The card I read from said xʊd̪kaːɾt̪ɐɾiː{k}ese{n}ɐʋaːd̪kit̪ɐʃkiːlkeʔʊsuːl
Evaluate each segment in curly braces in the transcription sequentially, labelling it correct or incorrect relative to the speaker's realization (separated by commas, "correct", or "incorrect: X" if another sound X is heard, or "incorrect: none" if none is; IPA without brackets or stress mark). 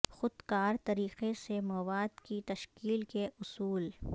incorrect: q, incorrect: m